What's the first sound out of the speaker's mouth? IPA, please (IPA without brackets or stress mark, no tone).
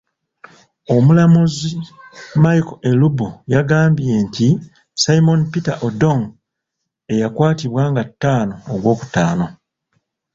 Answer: o̞